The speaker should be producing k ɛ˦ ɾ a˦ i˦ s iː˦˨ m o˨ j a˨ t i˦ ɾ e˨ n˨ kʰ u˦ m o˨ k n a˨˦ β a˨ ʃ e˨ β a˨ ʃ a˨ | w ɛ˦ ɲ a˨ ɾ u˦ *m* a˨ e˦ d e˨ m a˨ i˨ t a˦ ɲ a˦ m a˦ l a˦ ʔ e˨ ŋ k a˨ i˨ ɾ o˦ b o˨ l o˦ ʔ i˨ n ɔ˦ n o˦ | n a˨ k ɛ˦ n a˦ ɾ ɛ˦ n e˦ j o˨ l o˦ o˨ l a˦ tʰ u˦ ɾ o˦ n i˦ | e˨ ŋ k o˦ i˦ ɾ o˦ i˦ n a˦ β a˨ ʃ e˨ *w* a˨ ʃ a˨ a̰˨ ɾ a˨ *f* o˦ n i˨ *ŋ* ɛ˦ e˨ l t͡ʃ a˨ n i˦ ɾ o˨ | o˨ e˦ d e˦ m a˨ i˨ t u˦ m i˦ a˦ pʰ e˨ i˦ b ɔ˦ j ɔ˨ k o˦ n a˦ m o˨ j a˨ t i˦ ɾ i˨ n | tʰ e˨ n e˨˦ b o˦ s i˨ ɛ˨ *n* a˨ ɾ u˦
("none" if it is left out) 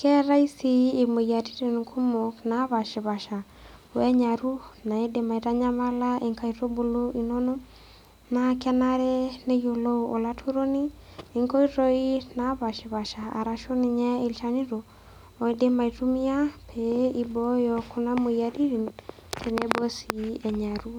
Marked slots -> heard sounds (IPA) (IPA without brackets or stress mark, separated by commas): n, β, ʃ, ɲ, ɲ